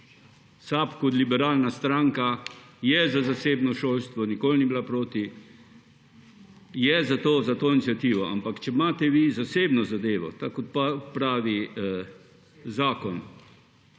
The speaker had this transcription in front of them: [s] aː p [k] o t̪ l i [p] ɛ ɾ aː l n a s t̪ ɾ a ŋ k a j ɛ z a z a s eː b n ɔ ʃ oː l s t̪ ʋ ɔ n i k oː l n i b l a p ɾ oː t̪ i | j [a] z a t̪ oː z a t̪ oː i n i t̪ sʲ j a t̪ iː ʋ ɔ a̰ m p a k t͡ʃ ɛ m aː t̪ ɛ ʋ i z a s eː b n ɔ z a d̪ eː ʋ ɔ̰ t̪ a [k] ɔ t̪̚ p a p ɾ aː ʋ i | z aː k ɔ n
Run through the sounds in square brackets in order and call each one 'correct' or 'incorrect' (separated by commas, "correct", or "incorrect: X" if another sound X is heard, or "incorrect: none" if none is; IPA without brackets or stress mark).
correct, correct, incorrect: b, incorrect: ɛ, correct